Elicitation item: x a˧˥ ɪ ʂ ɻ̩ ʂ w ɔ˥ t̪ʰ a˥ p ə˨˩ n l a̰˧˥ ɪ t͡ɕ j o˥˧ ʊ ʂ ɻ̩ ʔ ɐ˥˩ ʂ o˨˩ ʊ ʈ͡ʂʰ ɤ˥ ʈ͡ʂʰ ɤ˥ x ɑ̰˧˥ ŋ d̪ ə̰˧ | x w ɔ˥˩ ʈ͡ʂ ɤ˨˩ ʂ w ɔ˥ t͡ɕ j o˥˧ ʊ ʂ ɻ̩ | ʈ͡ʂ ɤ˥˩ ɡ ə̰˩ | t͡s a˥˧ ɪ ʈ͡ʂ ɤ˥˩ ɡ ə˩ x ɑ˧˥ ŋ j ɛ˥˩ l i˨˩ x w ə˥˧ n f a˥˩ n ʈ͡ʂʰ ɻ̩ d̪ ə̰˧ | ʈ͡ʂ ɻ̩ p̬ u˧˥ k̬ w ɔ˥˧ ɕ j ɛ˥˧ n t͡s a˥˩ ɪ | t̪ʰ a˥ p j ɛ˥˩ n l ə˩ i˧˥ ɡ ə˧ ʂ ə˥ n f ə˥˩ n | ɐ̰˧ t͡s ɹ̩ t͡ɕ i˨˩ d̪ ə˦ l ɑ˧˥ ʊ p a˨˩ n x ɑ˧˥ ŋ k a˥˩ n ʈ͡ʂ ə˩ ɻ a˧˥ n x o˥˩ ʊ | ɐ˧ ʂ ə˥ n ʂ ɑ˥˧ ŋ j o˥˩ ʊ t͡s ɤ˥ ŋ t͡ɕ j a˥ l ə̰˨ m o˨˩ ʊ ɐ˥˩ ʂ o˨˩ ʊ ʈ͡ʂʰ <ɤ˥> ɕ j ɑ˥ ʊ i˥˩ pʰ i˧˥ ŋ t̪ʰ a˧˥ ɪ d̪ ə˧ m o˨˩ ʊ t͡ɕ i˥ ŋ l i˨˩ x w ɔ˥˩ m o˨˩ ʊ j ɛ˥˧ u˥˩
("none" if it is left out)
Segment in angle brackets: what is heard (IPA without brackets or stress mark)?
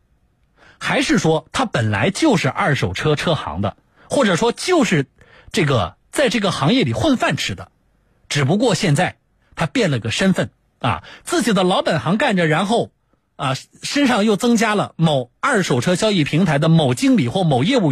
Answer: ɤ˥